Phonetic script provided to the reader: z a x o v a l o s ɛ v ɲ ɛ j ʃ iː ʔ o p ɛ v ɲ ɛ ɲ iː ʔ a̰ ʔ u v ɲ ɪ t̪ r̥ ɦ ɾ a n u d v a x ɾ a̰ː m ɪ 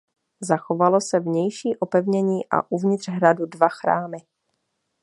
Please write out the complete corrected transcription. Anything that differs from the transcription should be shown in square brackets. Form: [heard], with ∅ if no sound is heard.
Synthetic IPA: z a x o v a l o s ɛ v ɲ ɛ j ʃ iː ʔ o p ɛ v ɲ ɛ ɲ iː ʔ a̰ ʔ u v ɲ ɪ t̪ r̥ ɦ ɾ a [d] u d v a x ɾ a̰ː m ɪ